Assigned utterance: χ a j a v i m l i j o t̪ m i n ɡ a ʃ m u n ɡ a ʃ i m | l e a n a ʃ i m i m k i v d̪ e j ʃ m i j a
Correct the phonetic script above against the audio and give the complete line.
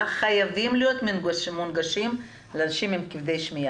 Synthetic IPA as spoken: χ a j a v i m l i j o t̪ m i n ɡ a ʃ m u n ɡ a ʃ i m | l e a n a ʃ i m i m k i v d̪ e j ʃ m i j a